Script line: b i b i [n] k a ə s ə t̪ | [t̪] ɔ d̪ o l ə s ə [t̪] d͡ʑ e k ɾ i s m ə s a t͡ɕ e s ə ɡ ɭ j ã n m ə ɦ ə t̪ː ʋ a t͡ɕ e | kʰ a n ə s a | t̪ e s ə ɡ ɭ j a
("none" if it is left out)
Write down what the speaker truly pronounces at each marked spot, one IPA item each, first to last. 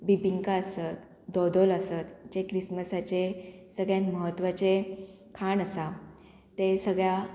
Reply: ŋ, d̪, t̪

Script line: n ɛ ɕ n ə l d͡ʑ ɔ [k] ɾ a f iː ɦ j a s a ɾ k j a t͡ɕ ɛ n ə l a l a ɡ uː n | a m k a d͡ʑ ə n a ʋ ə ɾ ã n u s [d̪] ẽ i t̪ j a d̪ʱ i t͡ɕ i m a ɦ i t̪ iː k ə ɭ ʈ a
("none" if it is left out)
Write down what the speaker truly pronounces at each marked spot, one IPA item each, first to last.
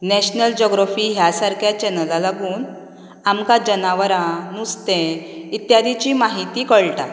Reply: ɡ, t̪

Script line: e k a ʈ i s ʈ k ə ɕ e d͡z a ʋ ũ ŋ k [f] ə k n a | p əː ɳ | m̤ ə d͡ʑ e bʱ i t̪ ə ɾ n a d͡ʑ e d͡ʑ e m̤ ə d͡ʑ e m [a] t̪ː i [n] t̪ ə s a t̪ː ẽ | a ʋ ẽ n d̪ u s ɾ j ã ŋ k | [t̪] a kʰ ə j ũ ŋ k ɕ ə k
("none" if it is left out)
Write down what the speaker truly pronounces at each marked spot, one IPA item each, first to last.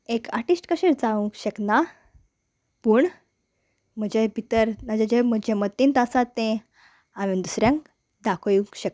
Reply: ɕ, ə, n, d̪

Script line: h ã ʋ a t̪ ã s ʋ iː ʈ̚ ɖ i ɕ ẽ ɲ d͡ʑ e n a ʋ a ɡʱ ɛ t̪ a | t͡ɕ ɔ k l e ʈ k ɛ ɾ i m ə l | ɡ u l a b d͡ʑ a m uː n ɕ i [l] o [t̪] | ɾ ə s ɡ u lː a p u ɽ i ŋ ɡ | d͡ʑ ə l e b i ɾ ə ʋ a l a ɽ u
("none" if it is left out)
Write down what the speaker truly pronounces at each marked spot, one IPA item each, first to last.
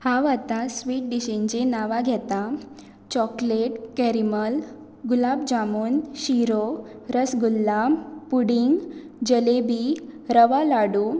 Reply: ɾ, none

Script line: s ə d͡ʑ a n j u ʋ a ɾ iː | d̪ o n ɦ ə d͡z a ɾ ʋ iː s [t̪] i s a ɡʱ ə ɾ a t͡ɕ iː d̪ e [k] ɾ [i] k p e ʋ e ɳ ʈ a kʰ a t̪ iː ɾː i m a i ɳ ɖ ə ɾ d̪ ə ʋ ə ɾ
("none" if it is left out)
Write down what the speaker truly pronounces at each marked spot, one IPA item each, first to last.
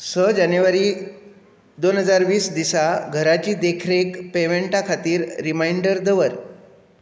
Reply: d̪, kʰ, e

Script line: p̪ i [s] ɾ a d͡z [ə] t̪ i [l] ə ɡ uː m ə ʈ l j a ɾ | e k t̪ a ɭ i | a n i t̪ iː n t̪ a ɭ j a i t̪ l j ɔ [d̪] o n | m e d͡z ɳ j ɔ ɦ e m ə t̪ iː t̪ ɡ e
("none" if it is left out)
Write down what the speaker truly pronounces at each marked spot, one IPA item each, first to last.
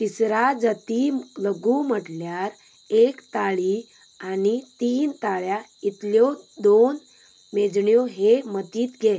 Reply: s, ə, l, d̪

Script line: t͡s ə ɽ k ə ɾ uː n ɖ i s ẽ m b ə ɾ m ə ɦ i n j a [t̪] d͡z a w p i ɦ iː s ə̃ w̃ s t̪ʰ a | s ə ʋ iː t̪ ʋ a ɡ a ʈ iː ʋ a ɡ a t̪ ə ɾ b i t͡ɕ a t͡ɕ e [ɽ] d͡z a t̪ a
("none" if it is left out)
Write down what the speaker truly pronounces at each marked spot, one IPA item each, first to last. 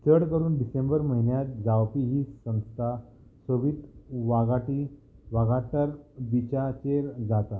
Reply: t̪, ɾ

